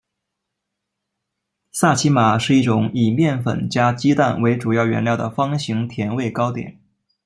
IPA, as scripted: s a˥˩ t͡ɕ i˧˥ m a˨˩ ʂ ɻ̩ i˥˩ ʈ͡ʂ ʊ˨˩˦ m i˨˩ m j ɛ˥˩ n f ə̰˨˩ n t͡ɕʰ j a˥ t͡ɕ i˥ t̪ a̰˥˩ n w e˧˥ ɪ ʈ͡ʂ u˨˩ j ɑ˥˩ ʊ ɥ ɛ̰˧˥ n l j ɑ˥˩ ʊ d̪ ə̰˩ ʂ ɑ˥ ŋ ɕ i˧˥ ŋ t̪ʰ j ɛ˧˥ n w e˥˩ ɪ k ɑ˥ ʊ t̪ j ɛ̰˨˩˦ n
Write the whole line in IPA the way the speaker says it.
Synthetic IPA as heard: s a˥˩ t͡ɕʰ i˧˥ m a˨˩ ʂ ɻ̩ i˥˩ ʈ͡ʂ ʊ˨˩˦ ŋ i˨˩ m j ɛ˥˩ n f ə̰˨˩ n t͡ɕ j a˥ t͡ɕ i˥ t̪ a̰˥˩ n w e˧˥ ɪ ʈ͡ʂ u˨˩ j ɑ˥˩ ʊ ɥ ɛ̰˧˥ n l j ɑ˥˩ ʊ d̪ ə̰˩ f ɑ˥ ŋ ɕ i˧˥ ŋ t̪ʰ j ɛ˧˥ n w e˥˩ ɪ k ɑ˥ ʊ t̪ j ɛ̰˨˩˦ n